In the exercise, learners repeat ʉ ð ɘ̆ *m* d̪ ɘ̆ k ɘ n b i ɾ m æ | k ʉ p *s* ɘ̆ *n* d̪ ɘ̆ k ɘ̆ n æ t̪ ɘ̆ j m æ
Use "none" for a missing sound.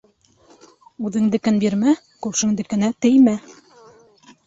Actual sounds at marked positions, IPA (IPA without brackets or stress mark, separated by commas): ŋ, ʃ, ŋ